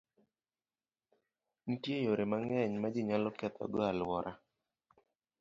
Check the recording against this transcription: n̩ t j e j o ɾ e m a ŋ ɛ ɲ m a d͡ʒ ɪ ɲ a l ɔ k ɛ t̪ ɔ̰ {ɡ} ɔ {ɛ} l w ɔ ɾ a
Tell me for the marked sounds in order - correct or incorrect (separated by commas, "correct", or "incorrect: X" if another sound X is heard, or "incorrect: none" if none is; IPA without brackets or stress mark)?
correct, incorrect: a